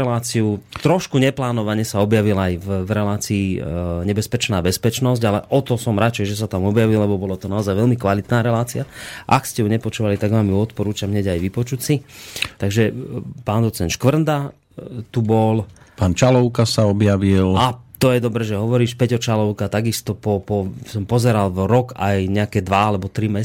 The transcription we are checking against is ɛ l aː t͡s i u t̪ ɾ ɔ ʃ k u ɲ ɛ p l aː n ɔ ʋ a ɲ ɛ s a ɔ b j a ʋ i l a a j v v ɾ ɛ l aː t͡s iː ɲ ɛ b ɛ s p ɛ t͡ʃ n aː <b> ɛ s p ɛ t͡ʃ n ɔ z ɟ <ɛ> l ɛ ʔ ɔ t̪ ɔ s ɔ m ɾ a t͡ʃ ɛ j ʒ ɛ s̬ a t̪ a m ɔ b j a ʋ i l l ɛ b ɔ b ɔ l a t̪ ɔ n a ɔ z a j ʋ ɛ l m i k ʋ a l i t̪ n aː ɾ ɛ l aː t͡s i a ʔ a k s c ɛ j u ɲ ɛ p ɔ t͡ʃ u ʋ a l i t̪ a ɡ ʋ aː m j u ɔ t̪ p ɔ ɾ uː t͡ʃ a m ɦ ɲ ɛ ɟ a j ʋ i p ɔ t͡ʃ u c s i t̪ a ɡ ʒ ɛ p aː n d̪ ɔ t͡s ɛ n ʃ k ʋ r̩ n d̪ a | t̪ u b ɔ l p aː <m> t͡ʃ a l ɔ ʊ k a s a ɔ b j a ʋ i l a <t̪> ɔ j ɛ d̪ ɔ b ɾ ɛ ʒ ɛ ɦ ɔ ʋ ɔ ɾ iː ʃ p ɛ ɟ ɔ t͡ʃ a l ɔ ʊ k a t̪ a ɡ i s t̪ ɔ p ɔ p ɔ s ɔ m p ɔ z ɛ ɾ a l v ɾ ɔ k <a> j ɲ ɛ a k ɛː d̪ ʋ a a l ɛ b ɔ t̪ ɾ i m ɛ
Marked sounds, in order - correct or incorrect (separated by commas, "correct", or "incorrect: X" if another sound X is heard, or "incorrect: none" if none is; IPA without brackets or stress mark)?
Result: correct, incorrect: a, incorrect: n, correct, correct